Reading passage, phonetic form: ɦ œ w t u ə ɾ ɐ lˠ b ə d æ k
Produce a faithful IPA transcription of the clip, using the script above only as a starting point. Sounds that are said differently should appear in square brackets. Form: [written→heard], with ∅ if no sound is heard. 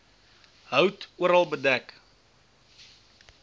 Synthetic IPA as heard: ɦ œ w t u ə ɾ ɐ lˠ b ə d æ k